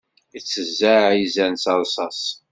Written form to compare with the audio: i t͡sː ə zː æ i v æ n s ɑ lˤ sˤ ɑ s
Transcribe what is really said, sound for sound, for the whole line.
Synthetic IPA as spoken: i t͡sː ə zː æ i z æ n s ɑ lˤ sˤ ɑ s